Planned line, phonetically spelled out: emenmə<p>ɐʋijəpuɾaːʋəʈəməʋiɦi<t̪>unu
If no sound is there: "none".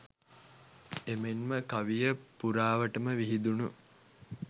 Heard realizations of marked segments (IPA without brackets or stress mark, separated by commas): k, d̪